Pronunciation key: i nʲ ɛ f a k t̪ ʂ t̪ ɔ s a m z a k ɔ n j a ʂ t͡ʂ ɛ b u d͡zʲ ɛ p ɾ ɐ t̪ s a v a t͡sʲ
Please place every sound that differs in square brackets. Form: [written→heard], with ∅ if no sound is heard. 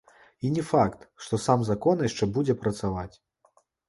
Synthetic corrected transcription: i nʲ ɛ f a k t̪ ʂ t̪ ɔ s a m z a k ɔ n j a ʂ t͡ʂ ɛ b u d͡zʲ ɛ p ɾ ɐ t̪ s a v a t͡sʲ